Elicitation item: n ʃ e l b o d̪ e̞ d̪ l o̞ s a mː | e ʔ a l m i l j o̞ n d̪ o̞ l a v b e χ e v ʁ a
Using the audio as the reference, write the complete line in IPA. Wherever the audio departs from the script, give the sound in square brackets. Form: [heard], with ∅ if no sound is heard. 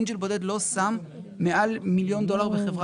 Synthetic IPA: n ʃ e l b o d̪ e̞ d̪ l o̞ s a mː | e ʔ a l m i l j o̞ n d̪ o̞ l a [ʁ] b e χ e v ʁ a

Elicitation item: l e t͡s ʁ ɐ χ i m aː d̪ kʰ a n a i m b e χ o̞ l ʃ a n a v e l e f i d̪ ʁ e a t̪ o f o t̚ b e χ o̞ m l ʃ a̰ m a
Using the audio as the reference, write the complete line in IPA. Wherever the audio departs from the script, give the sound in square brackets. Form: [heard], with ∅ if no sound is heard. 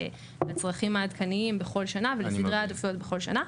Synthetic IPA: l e t͡s ʁ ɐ χ i m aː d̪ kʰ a n [i] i m b e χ o̞ l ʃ a n a v e l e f i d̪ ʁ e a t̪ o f o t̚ b e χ o̞ [∅] l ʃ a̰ [n] a

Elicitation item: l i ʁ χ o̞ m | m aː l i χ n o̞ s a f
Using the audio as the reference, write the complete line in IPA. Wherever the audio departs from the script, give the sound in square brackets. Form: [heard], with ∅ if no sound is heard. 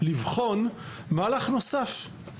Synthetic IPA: l i [v] χ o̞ [n] | m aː l [a] χ n o̞ s a f

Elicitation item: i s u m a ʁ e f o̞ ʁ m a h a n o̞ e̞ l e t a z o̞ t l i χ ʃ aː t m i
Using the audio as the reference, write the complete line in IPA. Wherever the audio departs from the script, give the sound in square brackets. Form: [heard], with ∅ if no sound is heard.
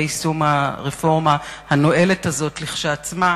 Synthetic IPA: i s u m a ʁ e f o̞ ʁ m a h a n o̞ e̞ l e t a z o̞ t l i χ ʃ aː [t͡s] m [a]

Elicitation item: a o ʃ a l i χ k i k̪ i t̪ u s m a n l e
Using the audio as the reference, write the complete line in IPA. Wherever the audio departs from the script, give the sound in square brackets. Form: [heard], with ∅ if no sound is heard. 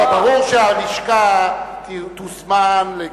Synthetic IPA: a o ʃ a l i [ʃ] k [a] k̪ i t̪ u s m a n l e

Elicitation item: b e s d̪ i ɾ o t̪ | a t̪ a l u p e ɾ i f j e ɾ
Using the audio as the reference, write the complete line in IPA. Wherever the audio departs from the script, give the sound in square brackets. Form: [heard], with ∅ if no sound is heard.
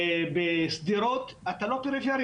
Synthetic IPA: b e s d̪ i ɾ o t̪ | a t̪ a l [o] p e ɾ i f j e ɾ

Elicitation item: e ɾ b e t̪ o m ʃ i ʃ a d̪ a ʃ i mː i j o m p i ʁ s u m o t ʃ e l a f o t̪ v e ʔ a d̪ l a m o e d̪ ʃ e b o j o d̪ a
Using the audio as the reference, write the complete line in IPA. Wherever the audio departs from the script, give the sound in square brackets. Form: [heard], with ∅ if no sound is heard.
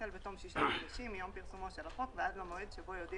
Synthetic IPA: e [l] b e t̪ o m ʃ i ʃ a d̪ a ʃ i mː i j o m p i ʁ s u m o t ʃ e l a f o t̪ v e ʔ a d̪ l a m o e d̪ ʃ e b o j o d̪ [i]

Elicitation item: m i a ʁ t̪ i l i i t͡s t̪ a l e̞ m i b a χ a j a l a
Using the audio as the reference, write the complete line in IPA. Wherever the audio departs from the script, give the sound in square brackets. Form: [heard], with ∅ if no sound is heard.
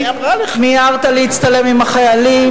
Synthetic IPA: m i a ʁ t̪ [a] l i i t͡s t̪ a l e̞ m i [m] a χ a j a l [i]

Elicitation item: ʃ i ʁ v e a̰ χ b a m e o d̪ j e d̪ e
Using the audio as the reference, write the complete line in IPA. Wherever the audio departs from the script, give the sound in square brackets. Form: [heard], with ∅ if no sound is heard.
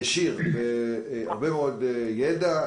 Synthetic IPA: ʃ i ʁ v e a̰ [ʁ] b [e] m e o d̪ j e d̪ [a]

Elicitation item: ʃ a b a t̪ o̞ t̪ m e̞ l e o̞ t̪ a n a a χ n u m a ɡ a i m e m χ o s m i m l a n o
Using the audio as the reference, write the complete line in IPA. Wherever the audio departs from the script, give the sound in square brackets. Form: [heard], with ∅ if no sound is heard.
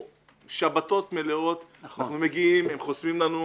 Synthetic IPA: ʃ a b a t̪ o̞ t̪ m e̞ l e o̞ t̪ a n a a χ n u m [e] ɡ [i] i m e m χ o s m i m l a n [u]

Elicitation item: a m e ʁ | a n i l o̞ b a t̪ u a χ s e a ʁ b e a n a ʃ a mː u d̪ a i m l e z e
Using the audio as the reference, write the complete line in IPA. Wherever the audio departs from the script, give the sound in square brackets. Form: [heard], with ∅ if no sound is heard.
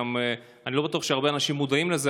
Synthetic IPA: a m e [∅] | a n i l o̞ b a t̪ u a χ [ʃ] e a ʁ b e a n a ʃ [i] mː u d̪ a i m l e z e

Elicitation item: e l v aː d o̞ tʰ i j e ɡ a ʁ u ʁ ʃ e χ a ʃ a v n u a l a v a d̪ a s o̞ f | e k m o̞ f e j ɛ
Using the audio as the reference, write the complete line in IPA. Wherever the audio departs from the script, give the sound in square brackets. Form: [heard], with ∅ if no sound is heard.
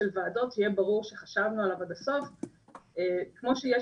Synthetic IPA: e l v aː d o̞ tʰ i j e [b] a ʁ u ʁ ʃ e χ a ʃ a v n u a l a v a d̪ a s o̞ f | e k m o̞ [ʃ] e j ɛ

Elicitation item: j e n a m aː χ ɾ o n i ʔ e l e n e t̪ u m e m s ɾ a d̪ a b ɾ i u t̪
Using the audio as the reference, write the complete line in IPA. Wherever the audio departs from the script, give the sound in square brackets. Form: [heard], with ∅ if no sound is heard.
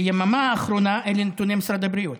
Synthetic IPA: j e [m] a m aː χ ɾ o n [a] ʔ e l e n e t̪ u [n] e m s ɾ a d̪ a b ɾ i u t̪

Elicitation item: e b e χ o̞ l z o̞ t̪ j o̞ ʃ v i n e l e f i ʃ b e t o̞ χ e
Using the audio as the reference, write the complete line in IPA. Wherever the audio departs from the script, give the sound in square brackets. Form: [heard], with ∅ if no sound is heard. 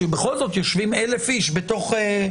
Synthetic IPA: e b e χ o̞ l z o̞ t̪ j o̞ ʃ v i [m] e l e f i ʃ b e t o̞ χ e

